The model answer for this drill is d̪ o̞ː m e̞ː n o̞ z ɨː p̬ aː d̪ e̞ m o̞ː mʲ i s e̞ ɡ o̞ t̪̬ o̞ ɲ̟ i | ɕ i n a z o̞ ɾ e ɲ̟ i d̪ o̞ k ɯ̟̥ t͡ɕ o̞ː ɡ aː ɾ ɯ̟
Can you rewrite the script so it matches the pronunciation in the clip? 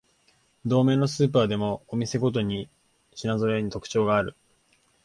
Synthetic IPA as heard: d̪ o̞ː m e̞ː n o̞ s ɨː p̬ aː d̪ e̞ m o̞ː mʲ i s e̞ ɡ o̞ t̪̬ o̞ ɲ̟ i | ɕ i n a z o̞ ɾ e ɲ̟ i t̪ o̞ k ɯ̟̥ t͡ɕ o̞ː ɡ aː ɾ ɯ̟